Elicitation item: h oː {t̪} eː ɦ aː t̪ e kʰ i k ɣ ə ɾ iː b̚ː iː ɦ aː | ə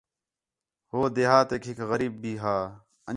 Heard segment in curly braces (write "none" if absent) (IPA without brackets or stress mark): d̪